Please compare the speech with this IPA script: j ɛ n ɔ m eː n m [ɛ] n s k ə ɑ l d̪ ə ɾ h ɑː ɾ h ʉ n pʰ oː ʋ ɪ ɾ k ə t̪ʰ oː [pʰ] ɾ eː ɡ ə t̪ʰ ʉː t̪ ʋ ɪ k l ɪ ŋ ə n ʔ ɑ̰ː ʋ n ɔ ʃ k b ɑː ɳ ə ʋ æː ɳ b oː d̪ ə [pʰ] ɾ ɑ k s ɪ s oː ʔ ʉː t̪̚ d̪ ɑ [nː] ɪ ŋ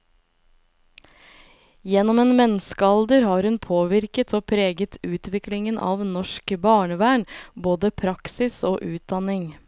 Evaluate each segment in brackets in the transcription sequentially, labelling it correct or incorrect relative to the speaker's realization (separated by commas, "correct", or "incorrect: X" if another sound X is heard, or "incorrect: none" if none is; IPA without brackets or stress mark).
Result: correct, correct, correct, incorrect: n